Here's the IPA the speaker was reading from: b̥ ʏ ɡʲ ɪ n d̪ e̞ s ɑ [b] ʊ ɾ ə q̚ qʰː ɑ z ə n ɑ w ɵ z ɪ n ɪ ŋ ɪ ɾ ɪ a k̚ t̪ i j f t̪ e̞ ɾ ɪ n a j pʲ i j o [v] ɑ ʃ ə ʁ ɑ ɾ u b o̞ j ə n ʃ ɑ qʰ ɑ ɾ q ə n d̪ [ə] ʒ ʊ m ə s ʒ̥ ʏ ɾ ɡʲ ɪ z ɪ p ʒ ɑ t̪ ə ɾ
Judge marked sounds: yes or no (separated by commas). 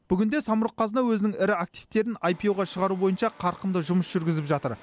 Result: no, no, yes